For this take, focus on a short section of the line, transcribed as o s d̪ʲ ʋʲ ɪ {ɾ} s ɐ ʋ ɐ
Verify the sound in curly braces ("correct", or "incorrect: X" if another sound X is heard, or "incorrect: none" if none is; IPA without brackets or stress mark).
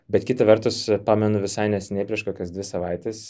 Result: incorrect: none